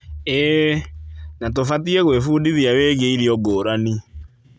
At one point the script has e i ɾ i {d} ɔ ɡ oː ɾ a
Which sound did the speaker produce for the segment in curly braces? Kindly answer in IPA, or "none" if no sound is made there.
none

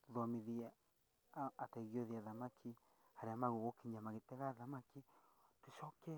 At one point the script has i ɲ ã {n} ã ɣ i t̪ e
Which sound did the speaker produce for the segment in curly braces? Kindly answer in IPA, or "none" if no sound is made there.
m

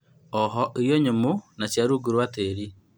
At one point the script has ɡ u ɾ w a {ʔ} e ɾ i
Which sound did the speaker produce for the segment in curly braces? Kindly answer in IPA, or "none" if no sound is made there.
t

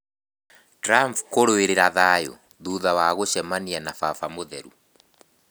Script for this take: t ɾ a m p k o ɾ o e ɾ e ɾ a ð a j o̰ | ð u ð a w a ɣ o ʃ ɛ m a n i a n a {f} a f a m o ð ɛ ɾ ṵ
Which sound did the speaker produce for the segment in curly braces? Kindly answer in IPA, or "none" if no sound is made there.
f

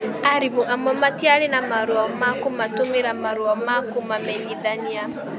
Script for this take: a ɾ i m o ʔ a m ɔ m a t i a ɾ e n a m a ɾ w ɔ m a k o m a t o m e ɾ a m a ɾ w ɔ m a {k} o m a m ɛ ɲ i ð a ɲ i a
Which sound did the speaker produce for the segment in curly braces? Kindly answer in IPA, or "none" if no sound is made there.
k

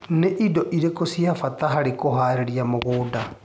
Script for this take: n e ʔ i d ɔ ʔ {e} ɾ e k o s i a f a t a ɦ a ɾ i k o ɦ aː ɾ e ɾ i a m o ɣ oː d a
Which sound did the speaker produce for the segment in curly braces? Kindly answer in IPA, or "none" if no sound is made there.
i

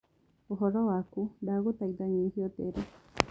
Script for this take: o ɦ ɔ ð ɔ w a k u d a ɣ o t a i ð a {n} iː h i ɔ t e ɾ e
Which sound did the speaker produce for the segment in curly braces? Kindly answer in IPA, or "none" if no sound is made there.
ɲ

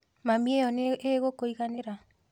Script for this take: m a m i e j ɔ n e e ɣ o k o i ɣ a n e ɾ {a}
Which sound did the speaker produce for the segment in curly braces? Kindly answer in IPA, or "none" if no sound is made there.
a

